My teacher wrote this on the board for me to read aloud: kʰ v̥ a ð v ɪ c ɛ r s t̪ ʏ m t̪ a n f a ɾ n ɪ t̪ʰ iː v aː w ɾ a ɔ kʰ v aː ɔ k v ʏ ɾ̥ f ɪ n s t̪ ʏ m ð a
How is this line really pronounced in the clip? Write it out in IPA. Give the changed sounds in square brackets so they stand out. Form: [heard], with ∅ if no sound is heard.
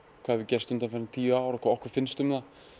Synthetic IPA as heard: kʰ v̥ a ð v ɪ c ɛ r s t̪ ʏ m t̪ a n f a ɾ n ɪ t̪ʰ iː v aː w ɾ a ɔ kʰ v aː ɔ k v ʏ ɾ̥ f ɪ n s t̪ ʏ m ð a

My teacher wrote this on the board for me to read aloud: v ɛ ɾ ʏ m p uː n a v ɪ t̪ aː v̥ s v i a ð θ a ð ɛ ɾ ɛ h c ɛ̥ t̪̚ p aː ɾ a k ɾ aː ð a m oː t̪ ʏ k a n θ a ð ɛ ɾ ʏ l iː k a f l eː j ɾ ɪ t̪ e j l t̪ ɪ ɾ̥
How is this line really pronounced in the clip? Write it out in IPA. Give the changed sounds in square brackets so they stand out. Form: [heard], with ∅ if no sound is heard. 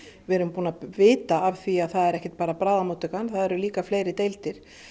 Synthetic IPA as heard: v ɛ ɾ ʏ m p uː n a v [ɪː] t̪ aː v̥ [θ] v i a ð θ a ð ɛ ɾ ɛ h c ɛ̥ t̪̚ p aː ɾ a [p] ɾ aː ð a m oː t̪ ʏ k a n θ a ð ɛ ɾ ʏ l iː k a f l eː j ɾ ɪ t̪ e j l t̪ ɪ ɾ̥

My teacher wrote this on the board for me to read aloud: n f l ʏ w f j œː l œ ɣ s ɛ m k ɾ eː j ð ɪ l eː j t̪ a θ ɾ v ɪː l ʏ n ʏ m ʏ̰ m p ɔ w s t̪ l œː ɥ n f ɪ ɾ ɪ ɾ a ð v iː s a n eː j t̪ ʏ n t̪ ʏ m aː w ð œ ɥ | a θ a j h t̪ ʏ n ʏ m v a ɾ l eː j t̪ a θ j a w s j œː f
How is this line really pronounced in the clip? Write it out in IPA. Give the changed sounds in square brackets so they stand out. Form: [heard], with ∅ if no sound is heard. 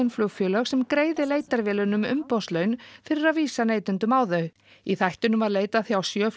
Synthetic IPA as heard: n f l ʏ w f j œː l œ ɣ s ɛ m k ɾ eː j ð ɪ l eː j t̪ a [∅] ɾ v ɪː l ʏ n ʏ m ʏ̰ m p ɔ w s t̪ l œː ɥ n f ɪ ɾ ɪ ɾ a ð v iː s a n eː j t̪ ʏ n t̪ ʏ m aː w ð œ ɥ | [i] θ a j h t̪ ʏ n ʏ m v a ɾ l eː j t̪ a θ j a w s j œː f

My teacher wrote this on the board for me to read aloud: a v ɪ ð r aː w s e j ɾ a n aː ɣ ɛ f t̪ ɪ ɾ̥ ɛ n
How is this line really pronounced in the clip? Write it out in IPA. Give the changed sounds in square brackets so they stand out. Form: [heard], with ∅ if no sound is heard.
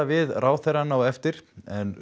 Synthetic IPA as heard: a v ɪ ð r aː w [θ] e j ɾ a n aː [w] ɛ f t̪ ɪ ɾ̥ ɛ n

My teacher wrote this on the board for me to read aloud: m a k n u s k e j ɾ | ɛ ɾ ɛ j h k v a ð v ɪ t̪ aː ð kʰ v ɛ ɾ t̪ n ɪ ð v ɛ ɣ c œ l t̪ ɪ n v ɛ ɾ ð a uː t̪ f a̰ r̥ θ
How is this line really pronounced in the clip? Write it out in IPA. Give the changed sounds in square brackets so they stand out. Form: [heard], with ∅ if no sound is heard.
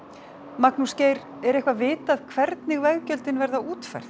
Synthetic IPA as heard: m a k n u s [c] e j ɾ | ɛ ɾ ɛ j h k v a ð v [ɪː] t̪ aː ð kʰ v ɛ ɾ t̪ n ɪ [ɣ] v ɛ ɣ c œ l t̪ ɪ n v ɛ ɾ ð a uː t̪ f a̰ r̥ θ

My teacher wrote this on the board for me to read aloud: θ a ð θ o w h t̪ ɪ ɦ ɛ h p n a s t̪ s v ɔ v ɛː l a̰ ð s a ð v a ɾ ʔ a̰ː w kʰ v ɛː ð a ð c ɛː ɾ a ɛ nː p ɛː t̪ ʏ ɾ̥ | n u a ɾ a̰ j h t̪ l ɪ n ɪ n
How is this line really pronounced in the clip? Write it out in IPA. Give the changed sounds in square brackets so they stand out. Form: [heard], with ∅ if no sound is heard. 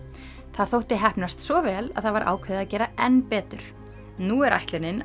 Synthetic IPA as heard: θ a ð θ o w h t̪ ɪ ɦ ɛ h p n a s t̪ s v ɔ v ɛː l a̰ ð [θ] a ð v a ɾ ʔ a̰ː w kʰ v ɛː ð a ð c ɛː ɾ a ɛ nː p ɛː t̪ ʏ ɾ̥ | n u [ɛ] ɾ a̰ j h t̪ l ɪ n ɪ n

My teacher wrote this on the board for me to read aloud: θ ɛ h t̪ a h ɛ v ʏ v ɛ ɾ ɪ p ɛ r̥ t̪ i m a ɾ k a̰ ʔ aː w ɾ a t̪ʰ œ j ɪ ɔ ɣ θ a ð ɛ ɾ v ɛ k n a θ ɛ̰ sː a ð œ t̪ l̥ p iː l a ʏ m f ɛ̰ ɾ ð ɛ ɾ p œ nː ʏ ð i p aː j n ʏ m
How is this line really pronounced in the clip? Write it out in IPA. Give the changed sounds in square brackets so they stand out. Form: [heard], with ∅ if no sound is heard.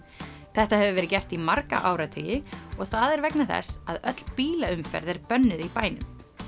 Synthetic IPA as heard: θ ɛ h t̪ a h ɛ v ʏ v ɛ ɾ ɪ [c] ɛ r̥ t̪ i m a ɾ k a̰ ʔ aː w ɾ a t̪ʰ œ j ɪ ɔ ɣ θ a ð ɛ ɾ v ɛ k n a θ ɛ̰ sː a ð œ t̪ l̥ p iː l a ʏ m f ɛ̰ ɾ ð ɛ ɾ p œ nː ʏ ð i p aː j n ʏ m

